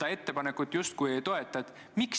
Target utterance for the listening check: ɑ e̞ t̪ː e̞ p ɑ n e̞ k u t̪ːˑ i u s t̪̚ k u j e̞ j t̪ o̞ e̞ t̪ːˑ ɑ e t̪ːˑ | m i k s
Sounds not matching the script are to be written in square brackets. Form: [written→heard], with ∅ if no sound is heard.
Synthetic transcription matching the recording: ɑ e̞ t̪ː e̞ p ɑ n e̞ k u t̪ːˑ [i→j] u s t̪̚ k u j e̞ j t̪ o̞ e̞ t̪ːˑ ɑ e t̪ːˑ | m i k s

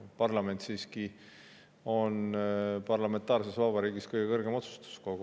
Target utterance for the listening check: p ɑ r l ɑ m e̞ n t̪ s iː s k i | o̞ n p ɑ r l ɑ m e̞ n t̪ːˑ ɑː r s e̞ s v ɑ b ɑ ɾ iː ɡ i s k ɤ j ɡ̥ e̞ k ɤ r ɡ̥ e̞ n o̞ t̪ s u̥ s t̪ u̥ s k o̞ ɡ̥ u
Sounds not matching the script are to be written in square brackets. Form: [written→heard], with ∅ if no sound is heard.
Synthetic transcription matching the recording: p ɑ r l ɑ m e̞ n t̪ s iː s k i | o̞ n p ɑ r l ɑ m e̞ n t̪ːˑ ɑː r s e̞ s v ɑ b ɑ ɾ iː ɡ i s k ɤ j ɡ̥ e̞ k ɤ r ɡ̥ e̞ [n→m] o̞ t̪ s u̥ s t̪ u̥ s k o̞ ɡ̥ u

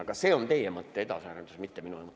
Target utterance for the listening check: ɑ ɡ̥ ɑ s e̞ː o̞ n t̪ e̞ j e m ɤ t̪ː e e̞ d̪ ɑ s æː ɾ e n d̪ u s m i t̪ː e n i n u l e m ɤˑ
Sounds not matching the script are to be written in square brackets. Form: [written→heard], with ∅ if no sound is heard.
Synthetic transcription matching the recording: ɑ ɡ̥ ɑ s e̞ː o̞ n t̪ e̞ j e m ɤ t̪ː e e̞ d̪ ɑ s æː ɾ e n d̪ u s m i t̪ː e [n→m] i n u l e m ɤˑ

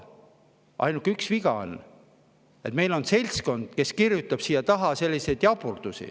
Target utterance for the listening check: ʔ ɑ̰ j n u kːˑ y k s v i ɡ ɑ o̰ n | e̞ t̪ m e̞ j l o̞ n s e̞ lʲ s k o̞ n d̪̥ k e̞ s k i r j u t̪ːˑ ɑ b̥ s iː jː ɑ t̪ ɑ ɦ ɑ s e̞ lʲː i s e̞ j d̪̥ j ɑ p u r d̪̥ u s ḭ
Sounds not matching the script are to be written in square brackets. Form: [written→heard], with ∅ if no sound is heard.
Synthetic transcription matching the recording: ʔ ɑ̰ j n u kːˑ y k s v i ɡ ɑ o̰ n | e̞ t̪ m e̞ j l o̞ n s e̞ lʲ s k o̞ n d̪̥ k e̞ s k i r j u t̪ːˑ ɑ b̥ s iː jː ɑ t̪ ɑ ɦ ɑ s e̞ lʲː i s e̞ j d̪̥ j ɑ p u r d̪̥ u s ḭ

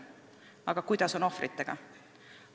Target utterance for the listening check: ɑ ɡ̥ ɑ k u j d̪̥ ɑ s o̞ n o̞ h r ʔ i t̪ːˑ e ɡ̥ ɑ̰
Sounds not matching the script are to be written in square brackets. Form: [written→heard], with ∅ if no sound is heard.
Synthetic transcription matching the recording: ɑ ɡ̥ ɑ k u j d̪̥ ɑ s o̞ n o̞ [h→f] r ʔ i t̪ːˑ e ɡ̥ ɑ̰

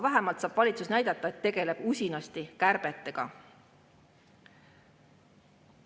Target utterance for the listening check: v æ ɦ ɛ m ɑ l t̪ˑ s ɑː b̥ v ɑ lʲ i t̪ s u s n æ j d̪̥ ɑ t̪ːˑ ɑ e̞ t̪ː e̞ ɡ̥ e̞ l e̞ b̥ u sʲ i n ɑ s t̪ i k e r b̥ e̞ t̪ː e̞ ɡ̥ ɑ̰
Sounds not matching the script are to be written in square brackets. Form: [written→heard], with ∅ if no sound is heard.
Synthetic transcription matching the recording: v æ ɦ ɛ m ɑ l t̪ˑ s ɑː b̥ v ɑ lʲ i t̪ s u s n æ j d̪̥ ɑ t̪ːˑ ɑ e̞ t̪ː e̞ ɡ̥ e̞ l e̞ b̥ u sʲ i n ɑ s t̪ i k [e→æ] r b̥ e̞ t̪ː e̞ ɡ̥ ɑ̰

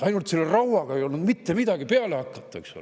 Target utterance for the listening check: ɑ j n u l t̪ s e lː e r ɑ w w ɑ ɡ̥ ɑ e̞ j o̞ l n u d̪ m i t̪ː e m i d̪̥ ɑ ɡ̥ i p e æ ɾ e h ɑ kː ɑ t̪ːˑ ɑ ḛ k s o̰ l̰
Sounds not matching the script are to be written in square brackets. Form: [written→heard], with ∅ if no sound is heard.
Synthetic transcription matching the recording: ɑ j n u l t̪ s e lː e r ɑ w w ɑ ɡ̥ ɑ e̞ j o̞ l n u d̪ m i t̪ː e m i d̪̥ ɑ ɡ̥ i p e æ [ɾ→l] e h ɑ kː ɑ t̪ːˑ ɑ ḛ k s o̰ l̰

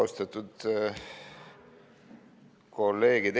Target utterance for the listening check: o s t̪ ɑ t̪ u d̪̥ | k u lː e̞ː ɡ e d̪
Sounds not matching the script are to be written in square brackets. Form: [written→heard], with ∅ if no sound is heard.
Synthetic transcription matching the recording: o s t̪ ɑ t̪ u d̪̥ | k [u→o] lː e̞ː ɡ [e→i] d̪

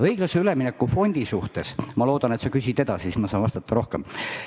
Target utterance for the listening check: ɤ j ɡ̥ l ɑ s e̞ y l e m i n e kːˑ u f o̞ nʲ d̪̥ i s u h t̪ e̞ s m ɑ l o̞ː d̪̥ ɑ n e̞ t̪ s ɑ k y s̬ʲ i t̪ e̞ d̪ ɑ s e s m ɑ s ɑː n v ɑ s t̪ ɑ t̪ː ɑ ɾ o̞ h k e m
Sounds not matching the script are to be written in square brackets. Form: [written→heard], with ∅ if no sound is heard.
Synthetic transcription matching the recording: ɤ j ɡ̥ l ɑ s e̞ y l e m i n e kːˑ u f o̞ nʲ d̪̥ i s u h t̪ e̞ s m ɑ l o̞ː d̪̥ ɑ n e̞ t̪ s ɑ k y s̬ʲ i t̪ e̞ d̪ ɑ s [e→i] s m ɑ s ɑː n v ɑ s t̪ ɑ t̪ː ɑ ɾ o̞ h k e m

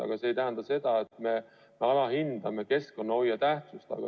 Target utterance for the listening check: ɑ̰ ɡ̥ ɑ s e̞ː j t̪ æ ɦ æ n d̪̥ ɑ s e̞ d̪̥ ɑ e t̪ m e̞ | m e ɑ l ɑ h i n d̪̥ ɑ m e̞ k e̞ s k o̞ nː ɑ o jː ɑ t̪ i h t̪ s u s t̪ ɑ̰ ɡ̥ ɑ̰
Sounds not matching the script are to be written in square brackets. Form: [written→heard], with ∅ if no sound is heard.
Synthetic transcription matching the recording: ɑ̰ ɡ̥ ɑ s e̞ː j t̪ æ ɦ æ n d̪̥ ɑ s e̞ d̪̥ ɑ e t̪ m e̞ | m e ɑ l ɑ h i n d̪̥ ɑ m e̞ k e̞ s k o̞ nː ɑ o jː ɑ t̪ [i→æ] h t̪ s u s t̪ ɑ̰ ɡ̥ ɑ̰

